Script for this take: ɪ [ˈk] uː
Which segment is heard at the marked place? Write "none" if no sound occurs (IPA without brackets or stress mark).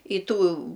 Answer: t